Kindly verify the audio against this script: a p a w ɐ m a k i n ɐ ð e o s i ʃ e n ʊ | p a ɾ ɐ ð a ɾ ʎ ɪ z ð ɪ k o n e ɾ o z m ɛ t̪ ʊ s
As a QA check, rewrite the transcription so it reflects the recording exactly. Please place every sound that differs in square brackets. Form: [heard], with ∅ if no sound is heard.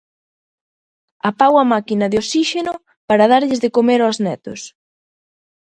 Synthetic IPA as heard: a p a w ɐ m a k i n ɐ ð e o s i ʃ e n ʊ | p a ɾ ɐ ð a ɾ ʎ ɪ z ð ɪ k o [m] e ɾ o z [n] ɛ t̪ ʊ s